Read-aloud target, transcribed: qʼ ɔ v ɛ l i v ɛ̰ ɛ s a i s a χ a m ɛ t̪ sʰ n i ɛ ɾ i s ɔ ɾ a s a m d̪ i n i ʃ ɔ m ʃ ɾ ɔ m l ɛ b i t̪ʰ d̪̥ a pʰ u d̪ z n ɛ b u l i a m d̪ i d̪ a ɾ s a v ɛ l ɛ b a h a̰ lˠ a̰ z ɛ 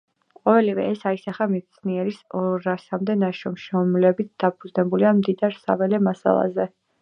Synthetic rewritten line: qʼ ɔ v ɛ l i v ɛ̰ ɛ s a i s a χ a m ɛ t̪ sʰ n i ɛ ɾ i s ɔ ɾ a s a m d̪ ɛ n a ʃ ɔ m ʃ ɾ ɔ m l ɛ b i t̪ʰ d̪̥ a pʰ u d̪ z n ɛ b u l i a m d̪ i d̪ a ɾ s a v ɛ l ɛ m a s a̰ lˠ a̰ z ɛ